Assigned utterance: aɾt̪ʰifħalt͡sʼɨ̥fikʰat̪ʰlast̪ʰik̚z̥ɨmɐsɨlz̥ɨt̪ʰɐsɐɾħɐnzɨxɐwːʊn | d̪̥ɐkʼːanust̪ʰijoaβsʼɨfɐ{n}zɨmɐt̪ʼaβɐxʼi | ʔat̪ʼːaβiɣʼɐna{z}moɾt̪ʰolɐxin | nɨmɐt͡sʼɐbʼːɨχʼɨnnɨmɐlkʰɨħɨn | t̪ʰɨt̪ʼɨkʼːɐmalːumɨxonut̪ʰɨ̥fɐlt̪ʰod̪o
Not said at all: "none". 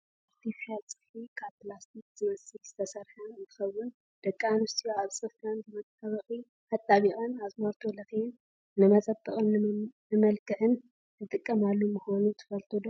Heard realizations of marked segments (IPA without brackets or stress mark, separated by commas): n, z